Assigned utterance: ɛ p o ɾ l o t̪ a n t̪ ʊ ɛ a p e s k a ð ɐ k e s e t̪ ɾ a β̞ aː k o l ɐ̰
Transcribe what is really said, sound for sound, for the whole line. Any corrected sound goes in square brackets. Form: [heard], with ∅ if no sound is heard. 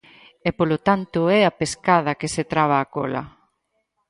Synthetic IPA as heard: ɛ p o [∅] l o t̪ a n t̪ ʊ ɛ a p e s k a ð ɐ k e s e t̪ ɾ a β̞ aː k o l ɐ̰